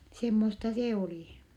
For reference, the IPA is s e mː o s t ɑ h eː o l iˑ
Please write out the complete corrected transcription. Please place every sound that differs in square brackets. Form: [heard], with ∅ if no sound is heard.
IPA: s e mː o s t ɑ [s] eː o l iˑ

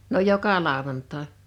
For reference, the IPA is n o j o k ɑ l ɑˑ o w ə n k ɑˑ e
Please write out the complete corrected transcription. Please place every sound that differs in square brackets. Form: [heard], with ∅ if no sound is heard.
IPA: n o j o k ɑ l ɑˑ o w [ɑ] n [t] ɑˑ e

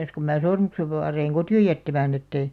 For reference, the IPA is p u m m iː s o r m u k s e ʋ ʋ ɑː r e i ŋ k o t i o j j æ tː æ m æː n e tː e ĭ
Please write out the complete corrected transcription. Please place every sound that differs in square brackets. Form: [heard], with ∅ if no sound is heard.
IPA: [k] u m m [æː] s o r m u k s e ʋ ʋ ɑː r e i ŋ k o t i o j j æ tː æ m æː n e tː e ĭ

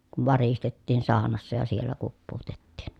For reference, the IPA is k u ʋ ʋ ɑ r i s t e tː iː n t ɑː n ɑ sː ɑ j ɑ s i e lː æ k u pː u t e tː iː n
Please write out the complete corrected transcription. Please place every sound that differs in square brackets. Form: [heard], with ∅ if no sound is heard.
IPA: k u ʋ ʋ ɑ r i s t e tː iː n [s] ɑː n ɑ sː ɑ j ɑ s i e lː æ k u pː [uː] t e tː iː n

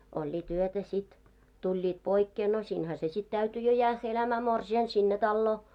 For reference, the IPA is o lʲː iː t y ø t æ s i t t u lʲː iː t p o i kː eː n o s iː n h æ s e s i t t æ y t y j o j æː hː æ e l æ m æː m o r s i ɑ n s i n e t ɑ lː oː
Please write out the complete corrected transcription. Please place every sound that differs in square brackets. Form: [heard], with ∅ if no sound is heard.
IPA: o lʲː iː t y ø t æ s i t t u lʲː iː t p o i kː eː n o s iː n h æ s e s i t t æ y t y j o j æː hː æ e l æ m æː m o r s i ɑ n s i [nː] e t ɑ lː oː

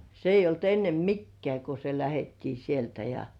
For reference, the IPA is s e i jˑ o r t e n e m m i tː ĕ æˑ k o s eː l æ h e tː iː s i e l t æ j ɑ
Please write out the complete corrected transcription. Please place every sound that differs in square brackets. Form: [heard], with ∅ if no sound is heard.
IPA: s e i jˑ o [l] t e [nː] e m m i [kː] ĕ æˑ k o s [e] l æ h e tː iː s i e l t æ j ɑ

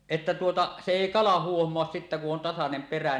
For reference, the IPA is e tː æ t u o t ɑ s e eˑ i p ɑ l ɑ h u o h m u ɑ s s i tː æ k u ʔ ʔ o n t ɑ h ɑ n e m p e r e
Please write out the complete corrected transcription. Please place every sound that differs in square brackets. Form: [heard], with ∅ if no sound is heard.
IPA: e tː æ t u o t ɑ s e eˑ i [k] ɑ l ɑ h u o h m [o] ɑ s s i tː æ k u ʔ ʔ o n t ɑ [s] ɑ n e m p e r [æ]

